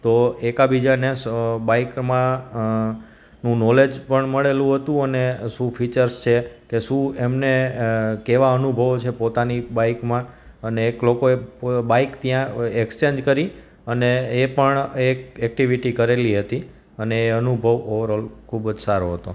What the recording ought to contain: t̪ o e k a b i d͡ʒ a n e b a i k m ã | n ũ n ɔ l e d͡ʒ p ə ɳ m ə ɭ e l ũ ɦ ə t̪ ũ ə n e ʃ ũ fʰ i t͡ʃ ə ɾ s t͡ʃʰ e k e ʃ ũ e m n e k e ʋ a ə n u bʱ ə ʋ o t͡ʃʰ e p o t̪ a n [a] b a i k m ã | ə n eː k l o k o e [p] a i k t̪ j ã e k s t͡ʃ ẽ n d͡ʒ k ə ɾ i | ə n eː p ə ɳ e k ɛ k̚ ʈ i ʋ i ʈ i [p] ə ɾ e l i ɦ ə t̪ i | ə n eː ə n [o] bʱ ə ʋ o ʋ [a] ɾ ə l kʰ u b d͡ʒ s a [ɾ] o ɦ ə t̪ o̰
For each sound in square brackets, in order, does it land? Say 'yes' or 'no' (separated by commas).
no, no, no, no, no, yes